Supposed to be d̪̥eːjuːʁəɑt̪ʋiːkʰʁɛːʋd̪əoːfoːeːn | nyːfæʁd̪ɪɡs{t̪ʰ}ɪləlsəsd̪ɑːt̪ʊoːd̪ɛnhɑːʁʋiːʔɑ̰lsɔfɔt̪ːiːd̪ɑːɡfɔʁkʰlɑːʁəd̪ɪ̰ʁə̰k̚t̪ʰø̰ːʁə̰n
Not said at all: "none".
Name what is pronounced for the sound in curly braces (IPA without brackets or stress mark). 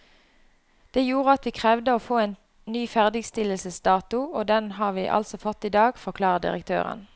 t̪